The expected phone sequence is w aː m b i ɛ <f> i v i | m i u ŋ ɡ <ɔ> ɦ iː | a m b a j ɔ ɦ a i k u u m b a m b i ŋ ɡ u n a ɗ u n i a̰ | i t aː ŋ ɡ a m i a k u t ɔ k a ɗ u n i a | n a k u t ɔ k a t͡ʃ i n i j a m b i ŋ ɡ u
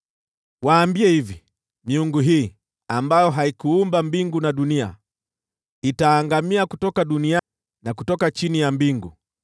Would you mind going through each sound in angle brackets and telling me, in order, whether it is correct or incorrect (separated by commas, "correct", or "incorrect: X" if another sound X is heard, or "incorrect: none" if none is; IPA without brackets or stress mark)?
incorrect: h, incorrect: u